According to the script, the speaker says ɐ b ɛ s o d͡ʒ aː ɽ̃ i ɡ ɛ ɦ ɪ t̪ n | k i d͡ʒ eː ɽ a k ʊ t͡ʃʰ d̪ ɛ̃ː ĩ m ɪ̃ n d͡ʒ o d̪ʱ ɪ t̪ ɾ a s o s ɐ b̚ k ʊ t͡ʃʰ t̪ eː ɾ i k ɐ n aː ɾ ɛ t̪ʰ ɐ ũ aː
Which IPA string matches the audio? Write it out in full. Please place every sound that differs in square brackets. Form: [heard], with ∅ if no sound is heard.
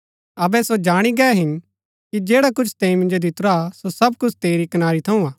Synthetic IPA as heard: ɐ b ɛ s o d͡ʒ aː ɽ̃ i ɡ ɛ ɦ ɪ [∅] n | k i d͡ʒ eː ɽ a k ʊ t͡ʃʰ [t̪] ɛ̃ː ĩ m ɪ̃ n d͡ʒ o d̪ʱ ɪ t̪ ɾ a s o s ɐ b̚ k ʊ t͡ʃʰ t̪ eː ɾ i k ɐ n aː ɾ [i] t̪ʰ ɐ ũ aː